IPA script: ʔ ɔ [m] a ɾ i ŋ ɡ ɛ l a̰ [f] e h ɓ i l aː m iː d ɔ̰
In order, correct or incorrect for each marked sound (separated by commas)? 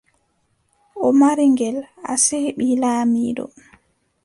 correct, incorrect